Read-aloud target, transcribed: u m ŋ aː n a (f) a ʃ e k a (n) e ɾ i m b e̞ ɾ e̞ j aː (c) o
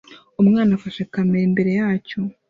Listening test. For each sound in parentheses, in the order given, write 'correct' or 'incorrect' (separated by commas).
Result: correct, incorrect, correct